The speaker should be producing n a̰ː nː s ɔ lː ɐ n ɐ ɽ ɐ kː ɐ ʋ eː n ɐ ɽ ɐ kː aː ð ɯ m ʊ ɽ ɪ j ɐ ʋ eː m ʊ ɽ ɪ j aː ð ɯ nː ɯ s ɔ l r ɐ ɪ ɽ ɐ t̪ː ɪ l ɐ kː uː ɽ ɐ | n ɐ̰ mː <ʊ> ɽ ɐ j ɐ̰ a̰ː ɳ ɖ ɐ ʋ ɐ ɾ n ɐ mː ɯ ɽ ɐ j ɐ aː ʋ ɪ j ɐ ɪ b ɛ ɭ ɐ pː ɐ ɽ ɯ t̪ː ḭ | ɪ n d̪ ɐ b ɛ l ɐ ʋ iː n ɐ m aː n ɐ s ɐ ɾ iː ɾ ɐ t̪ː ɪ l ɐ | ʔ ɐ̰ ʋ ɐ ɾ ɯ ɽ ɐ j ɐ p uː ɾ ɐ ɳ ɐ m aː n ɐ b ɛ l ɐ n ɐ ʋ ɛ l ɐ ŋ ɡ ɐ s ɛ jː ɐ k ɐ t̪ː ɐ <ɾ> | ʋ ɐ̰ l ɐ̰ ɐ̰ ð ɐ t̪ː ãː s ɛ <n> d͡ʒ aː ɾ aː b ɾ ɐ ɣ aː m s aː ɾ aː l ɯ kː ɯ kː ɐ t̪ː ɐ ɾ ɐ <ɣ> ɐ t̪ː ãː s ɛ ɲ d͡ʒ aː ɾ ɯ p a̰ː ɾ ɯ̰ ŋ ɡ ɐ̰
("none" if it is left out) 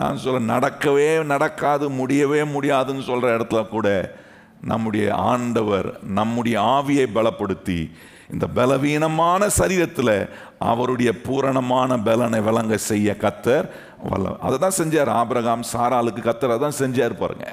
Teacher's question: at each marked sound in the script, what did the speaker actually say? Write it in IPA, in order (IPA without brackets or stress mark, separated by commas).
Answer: ɯ, ɾ, ɲ, ð